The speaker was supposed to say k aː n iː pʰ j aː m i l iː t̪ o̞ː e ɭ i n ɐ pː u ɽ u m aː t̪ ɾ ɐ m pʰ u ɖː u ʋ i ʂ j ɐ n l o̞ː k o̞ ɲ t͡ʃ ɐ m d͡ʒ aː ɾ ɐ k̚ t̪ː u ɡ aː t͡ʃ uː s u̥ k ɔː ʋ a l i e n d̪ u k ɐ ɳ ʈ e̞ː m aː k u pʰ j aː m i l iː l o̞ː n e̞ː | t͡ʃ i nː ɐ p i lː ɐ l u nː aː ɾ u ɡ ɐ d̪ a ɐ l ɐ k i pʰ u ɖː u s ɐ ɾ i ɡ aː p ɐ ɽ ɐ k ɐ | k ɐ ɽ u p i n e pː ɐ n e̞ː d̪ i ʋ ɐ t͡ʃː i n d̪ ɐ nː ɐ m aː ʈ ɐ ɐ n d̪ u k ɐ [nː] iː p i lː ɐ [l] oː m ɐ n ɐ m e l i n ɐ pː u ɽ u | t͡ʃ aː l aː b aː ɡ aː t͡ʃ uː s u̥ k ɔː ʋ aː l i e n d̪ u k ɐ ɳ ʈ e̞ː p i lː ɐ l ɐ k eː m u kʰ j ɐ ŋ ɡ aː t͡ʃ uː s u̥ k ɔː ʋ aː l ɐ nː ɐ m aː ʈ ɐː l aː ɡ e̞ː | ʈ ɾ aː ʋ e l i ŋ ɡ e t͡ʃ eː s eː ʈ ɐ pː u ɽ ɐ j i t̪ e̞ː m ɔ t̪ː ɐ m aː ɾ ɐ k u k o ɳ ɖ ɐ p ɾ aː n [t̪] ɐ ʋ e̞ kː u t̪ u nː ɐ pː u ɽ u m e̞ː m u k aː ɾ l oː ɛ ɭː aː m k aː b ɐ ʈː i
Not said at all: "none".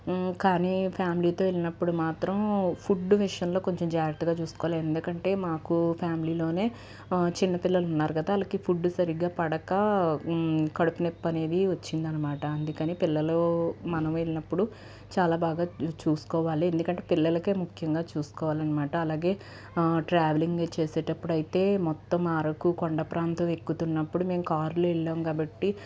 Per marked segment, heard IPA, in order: n, l, t̪

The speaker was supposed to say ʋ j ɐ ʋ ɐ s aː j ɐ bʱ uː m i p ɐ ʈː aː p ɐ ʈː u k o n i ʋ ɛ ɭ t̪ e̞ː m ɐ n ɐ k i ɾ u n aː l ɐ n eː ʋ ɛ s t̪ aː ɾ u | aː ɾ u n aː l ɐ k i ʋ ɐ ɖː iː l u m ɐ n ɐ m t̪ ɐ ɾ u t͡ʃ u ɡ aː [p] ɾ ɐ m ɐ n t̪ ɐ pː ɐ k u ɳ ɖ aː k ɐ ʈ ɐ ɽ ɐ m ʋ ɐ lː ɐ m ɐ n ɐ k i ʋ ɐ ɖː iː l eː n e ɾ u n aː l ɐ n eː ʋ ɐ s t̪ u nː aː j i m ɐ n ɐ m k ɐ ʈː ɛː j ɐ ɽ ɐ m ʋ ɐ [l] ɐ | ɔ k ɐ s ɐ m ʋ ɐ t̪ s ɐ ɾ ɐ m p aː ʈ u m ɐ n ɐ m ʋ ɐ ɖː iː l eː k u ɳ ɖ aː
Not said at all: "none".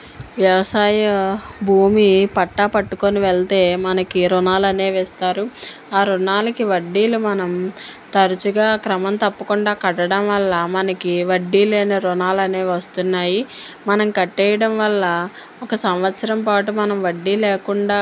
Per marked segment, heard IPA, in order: k, lː

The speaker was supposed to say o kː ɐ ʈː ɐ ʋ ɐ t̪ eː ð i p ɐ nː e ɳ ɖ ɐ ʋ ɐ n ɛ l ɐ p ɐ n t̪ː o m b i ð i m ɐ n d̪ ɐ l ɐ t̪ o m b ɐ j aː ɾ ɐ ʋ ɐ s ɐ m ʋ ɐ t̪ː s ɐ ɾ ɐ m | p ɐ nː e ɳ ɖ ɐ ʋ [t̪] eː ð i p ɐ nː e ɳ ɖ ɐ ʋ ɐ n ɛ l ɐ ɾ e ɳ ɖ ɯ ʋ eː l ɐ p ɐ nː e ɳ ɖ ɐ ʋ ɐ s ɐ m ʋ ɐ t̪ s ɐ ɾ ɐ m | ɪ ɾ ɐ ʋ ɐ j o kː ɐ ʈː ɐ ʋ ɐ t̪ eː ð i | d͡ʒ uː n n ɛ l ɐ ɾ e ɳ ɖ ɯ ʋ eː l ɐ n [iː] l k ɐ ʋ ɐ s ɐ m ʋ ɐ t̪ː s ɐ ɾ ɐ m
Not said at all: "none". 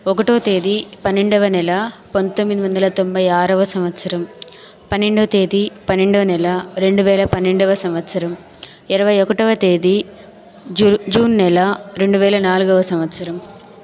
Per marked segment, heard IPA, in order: t̪, aː

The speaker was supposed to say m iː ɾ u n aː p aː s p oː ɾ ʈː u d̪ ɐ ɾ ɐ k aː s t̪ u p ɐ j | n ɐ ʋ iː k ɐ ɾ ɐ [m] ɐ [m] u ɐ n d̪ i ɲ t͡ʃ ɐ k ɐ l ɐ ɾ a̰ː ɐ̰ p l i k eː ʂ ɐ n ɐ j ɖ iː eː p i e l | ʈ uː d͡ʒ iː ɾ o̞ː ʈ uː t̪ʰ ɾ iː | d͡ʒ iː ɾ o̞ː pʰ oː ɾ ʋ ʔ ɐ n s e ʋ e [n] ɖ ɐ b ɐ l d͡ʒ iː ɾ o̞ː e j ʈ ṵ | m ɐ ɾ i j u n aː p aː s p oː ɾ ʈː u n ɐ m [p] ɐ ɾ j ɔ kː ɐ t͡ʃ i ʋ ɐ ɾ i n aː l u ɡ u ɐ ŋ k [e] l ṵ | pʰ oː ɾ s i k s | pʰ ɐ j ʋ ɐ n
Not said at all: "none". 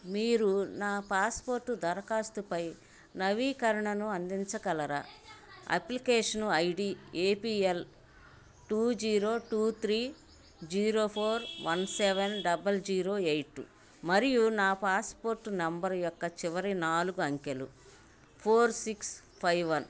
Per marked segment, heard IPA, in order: ɳ, n, n, b, e

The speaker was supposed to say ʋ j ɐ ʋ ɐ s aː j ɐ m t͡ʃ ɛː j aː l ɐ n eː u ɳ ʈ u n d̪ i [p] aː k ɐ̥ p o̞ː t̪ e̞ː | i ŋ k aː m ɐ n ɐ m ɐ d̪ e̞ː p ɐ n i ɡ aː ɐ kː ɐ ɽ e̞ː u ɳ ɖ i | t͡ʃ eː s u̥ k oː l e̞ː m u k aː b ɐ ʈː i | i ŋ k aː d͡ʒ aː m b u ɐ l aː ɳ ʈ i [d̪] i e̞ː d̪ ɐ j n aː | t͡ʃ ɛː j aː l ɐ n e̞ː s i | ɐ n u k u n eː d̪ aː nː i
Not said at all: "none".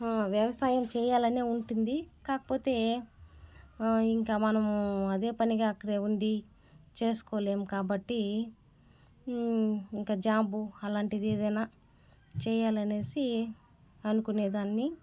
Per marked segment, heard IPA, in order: k, d̪

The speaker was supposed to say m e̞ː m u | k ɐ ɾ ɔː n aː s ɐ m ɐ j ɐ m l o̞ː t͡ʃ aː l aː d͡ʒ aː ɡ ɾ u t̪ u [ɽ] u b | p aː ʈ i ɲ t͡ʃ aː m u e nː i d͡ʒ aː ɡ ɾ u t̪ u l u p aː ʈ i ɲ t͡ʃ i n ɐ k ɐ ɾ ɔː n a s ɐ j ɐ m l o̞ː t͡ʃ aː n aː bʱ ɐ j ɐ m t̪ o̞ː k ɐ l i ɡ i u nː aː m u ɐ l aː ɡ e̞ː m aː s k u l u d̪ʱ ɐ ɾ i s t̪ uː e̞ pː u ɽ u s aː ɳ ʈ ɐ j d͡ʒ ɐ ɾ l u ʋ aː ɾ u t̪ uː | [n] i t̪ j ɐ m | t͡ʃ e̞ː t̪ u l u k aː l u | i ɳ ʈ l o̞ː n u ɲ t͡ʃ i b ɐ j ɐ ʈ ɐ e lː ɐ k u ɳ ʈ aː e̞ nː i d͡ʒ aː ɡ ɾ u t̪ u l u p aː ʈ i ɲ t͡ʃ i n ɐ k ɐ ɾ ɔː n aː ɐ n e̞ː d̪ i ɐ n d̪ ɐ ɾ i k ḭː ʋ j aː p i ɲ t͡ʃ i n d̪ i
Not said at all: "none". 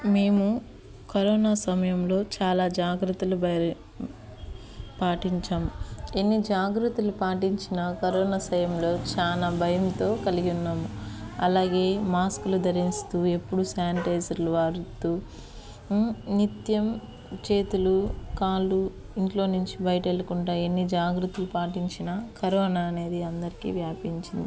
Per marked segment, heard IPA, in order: l, n

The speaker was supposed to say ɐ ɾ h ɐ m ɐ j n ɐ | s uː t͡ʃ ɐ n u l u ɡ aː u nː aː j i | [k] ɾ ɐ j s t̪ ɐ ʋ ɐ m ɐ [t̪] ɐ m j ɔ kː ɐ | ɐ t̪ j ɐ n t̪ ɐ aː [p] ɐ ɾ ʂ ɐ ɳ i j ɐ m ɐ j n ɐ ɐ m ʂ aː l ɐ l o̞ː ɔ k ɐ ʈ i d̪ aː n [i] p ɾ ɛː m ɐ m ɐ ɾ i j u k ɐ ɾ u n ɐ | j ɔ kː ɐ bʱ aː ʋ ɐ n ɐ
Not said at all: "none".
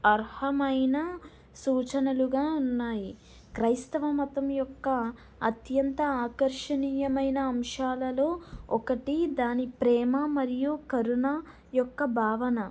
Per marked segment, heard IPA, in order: k, t̪, k, i

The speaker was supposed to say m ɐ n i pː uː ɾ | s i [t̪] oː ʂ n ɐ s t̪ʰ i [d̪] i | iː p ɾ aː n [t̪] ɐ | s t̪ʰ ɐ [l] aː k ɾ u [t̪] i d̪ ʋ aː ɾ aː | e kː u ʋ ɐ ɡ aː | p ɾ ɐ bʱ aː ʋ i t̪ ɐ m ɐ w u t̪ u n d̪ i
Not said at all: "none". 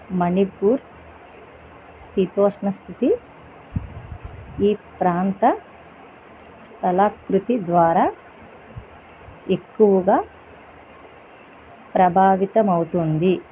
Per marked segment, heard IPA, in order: t̪, t̪, t̪, l, t̪

